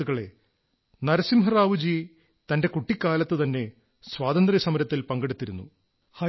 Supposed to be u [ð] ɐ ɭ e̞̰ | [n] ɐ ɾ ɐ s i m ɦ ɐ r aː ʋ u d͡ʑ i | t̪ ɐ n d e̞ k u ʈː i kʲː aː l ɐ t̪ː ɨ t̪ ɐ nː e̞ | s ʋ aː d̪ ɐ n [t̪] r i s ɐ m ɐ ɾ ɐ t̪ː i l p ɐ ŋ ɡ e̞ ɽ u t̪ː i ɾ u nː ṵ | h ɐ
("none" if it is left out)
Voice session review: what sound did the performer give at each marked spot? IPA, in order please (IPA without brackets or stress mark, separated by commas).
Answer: ɣ, n, d̪